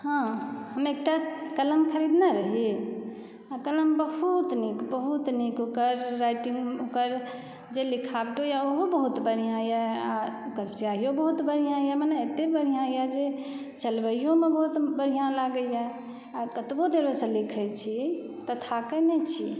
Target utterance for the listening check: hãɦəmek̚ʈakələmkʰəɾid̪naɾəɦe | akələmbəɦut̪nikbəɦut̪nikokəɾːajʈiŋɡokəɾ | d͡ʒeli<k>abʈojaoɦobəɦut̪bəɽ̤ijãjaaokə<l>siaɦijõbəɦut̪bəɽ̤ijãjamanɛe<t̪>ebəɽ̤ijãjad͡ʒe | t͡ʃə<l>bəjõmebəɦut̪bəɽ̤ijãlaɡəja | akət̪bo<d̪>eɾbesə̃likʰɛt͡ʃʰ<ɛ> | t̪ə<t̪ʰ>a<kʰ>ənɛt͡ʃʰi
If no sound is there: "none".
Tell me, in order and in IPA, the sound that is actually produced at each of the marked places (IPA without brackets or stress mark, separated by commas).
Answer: kʰ, ɾ, t̪, l, d̪, i, t̪ʰ, k